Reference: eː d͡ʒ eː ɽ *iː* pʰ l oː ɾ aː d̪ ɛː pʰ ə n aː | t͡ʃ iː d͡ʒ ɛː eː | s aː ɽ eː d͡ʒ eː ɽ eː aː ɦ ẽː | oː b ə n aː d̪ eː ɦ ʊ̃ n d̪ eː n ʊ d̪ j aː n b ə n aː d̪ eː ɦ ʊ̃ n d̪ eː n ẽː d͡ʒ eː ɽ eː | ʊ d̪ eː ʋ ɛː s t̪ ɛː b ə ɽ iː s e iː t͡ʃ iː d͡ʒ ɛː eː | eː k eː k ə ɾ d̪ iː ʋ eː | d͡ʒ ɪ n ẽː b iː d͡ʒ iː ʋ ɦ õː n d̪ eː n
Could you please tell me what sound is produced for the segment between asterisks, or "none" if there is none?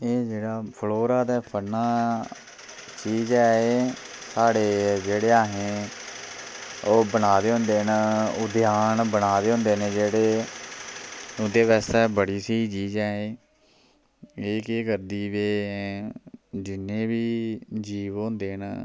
aː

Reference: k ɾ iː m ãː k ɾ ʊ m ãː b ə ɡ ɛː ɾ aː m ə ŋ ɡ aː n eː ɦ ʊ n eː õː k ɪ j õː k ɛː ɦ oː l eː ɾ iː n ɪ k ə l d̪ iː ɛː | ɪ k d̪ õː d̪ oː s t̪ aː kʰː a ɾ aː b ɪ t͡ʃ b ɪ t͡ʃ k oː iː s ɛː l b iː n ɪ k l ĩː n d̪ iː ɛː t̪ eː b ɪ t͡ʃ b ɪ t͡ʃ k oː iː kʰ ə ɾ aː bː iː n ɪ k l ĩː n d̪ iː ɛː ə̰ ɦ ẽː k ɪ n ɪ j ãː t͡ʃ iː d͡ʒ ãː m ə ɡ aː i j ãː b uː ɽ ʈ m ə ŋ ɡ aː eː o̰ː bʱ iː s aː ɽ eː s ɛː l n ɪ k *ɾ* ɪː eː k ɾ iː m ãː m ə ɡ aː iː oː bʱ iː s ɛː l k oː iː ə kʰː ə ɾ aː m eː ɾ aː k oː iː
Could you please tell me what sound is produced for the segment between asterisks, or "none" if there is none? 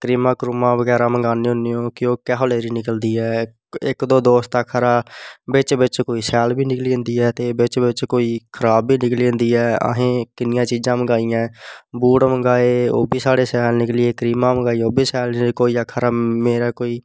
l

